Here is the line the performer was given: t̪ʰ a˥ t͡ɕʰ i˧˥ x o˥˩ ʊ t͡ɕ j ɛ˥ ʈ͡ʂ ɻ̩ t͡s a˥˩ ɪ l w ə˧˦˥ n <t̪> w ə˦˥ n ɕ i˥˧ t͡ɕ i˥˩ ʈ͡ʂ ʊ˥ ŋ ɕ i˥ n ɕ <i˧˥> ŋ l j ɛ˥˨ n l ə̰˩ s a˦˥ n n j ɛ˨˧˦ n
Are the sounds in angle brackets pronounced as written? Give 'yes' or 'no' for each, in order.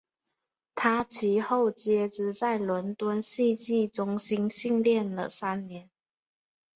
yes, no

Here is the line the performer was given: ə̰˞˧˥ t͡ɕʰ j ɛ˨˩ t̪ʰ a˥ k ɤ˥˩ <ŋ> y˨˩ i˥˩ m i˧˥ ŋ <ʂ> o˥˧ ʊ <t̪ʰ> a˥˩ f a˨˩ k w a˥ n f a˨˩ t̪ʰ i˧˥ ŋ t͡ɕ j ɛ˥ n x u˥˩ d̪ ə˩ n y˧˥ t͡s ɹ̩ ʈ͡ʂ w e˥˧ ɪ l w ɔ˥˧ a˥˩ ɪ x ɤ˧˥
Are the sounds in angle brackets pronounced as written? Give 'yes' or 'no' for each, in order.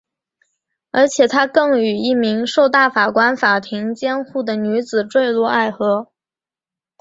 yes, yes, no

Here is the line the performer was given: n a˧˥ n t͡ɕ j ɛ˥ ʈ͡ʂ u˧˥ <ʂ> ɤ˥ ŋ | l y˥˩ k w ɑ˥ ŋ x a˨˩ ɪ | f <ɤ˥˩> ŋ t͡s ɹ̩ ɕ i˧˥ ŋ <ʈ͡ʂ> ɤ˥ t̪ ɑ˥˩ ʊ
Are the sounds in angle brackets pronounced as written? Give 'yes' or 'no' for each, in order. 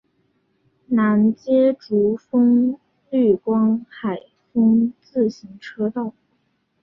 no, no, no

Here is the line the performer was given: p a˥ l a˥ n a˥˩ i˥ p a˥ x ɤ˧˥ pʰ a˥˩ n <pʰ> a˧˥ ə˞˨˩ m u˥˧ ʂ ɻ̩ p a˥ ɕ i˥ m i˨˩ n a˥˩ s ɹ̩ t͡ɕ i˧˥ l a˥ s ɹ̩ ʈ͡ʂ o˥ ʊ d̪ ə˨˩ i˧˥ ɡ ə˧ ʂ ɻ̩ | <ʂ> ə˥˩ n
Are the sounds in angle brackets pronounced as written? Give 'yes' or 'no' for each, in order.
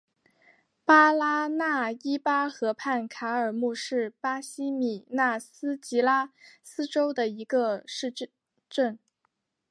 no, no

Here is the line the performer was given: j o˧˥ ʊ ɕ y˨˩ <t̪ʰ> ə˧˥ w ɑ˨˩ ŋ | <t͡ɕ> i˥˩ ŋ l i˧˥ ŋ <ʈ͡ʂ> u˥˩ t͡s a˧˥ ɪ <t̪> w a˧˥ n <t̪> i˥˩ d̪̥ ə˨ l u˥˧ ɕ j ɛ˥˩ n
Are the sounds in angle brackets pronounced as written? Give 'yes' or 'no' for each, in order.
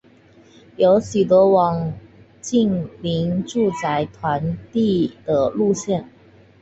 no, yes, yes, no, yes

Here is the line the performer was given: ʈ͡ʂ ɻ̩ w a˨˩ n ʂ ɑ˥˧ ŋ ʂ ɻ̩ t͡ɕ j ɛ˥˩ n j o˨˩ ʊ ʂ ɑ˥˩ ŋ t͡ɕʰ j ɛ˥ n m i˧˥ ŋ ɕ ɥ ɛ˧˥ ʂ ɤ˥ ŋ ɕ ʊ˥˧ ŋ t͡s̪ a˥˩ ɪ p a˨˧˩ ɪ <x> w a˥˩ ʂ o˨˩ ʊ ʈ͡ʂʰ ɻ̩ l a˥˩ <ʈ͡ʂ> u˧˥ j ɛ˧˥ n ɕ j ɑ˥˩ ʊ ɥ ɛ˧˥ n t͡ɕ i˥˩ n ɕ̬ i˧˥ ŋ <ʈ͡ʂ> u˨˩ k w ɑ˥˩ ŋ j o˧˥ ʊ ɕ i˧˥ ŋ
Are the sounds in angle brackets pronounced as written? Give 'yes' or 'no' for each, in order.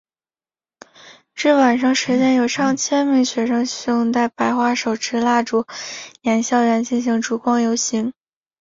yes, yes, yes

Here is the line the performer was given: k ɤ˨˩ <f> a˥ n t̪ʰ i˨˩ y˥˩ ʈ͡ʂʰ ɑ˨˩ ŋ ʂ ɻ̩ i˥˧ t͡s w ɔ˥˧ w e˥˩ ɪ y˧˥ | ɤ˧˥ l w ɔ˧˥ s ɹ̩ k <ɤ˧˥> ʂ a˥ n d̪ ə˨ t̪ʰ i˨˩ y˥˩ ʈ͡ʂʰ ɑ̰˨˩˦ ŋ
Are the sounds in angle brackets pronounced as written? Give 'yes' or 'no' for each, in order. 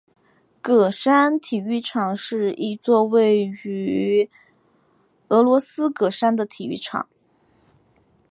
no, no

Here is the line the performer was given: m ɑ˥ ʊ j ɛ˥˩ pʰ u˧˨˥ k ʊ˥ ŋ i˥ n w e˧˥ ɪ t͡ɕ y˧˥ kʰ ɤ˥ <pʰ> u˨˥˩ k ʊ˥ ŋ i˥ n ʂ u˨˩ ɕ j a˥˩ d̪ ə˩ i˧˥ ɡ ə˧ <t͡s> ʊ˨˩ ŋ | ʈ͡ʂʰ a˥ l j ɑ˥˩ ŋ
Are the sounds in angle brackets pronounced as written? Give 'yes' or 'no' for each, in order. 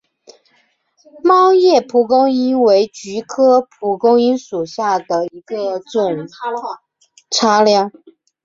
yes, yes

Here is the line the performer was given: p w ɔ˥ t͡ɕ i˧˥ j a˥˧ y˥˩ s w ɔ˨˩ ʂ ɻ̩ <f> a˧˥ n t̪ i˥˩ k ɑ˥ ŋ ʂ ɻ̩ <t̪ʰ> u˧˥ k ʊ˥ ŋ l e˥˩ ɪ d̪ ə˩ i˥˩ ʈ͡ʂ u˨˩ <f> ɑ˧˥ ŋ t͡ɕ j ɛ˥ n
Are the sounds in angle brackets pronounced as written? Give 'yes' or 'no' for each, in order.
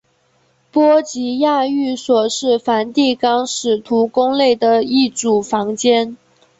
yes, yes, yes

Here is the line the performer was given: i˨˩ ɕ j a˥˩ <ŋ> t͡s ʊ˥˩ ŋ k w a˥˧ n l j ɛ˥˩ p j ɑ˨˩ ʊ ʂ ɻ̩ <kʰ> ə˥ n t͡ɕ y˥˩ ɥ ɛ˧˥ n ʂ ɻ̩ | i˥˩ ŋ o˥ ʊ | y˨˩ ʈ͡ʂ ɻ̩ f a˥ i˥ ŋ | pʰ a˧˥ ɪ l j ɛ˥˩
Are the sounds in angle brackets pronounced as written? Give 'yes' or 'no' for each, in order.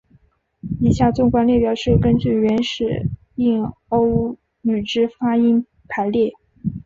no, no

